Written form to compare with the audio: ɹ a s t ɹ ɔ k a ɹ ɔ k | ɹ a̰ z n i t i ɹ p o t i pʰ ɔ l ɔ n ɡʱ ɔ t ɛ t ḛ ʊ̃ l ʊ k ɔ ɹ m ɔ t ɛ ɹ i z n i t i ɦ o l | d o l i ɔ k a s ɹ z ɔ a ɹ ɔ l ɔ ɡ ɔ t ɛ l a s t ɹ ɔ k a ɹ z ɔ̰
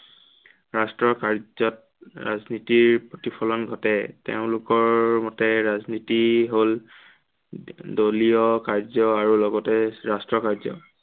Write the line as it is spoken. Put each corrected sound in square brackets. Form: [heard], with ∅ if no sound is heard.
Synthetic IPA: ɹ a s t ɹ ɔ k a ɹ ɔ [t] | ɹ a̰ z n i t i ɹ p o t i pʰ ɔ l ɔ n ɡʱ ɔ t ɛ t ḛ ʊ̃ l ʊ k ɔ ɹ m ɔ t ɛ ɹ [a] z n i t i ɦ o l | d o l i ɔ k a [∅] ɹ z ɔ a ɹ [u] l ɔ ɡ ɔ t ɛ [ɹ] a s t ɹ ɔ k a ɹ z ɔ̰

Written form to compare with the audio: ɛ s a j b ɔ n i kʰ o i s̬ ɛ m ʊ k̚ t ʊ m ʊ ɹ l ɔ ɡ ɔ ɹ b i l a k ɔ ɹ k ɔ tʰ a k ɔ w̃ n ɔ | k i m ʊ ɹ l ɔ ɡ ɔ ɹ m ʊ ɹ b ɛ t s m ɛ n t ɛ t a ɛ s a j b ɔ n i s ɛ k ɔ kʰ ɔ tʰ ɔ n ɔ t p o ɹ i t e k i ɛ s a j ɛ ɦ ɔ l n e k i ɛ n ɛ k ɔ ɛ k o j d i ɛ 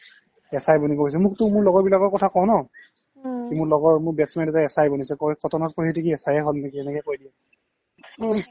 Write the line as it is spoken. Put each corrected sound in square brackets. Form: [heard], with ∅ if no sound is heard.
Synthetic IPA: ɛ s a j b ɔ n i [k] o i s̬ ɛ m ʊ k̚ t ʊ m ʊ ɹ l ɔ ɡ ɔ ɹ b i l a k ɔ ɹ k ɔ tʰ a k ɔ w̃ n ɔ | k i m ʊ ɹ l ɔ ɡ ɔ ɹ m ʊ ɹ b ɛ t s m ɛ n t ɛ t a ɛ s a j b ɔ n i s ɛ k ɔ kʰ ɔ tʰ ɔ n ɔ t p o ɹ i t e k i ɛ s a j ɛ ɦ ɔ l n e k i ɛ n ɛ k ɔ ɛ k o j d i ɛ

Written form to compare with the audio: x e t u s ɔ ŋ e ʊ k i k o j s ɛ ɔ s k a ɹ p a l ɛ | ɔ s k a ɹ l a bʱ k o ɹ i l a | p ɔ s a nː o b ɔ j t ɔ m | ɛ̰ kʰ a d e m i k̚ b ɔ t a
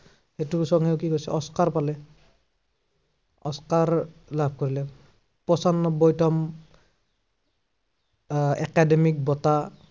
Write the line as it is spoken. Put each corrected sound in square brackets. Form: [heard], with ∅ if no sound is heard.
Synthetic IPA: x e t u s ɔ ŋ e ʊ k i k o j s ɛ ɔ s k a ɹ p a l ɛ | ɔ s k a ɹ l a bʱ k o ɹ i l [ɛ] | p ɔ s a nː [ɔ] b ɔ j t ɔ m | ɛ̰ [k] a d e m i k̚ b ɔ t a

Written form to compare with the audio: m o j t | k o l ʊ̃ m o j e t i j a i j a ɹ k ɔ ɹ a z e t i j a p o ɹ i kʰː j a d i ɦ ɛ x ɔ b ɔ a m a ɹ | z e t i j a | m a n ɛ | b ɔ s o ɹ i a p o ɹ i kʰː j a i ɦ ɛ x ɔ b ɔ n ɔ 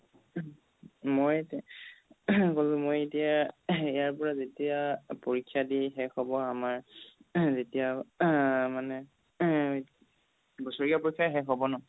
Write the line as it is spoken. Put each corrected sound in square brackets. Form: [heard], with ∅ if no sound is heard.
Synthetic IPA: m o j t | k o l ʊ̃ m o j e t i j a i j a ɹ [p] ɔ ɹ a z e t i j a p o ɹ i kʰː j a d i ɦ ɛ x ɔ b ɔ a m a ɹ | z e t i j a | m a n ɛ | b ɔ s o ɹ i a p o ɹ i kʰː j a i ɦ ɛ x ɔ b ɔ n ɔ

